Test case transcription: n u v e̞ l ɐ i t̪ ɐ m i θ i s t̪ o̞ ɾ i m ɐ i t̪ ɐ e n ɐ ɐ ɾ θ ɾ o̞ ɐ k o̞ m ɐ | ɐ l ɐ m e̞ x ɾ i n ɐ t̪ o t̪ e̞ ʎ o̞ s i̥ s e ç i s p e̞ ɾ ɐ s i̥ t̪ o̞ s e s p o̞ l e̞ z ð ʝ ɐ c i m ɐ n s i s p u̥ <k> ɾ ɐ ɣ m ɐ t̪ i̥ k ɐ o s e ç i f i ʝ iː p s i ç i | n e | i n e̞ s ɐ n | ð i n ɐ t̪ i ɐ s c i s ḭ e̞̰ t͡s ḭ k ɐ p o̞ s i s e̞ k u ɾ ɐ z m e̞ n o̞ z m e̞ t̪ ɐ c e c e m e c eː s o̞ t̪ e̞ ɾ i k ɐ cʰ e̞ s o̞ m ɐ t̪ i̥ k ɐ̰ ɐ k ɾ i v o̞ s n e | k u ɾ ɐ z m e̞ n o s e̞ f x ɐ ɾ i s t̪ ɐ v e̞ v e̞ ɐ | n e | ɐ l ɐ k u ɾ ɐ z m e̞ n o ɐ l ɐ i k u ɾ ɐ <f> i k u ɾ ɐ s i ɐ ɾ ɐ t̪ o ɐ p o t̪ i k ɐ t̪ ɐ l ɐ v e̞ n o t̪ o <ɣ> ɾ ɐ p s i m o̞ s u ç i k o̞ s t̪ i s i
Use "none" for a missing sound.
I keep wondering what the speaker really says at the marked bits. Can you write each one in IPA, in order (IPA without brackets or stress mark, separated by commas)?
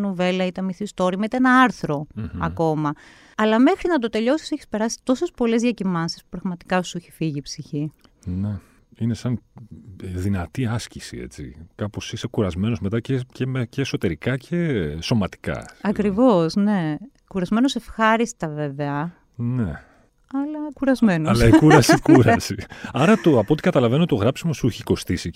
p, s, ɣ